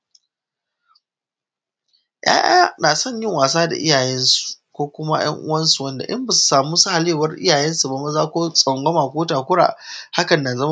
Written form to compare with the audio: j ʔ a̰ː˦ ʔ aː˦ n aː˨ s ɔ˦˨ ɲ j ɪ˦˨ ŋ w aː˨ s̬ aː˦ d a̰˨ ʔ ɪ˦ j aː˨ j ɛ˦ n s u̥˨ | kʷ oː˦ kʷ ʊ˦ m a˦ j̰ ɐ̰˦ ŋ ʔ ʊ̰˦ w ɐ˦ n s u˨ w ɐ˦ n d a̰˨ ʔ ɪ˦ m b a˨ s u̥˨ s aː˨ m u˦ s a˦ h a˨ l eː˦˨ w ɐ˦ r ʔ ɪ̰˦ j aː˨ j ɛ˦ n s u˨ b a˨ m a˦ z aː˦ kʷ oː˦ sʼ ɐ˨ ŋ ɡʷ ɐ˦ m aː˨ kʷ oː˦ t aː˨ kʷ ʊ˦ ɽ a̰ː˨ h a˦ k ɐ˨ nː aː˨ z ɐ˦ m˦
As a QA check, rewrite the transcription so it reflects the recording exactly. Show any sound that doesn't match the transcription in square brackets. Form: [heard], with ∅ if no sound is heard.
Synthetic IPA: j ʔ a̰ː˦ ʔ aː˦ n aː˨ s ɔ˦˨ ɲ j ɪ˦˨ ŋ w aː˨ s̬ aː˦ d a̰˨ ʔ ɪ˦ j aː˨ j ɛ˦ n s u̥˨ | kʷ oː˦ kʷ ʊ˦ m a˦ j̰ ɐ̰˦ ŋ ʔ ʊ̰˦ w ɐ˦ n s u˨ w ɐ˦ n d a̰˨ ʔ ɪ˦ m b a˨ s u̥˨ s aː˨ m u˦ s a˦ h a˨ l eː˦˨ w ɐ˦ r ʔ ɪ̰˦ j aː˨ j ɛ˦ n s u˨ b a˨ m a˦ z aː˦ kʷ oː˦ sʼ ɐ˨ ŋ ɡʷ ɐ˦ m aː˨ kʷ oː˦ t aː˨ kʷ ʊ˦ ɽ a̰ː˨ h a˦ k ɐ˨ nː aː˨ z ɐ˦ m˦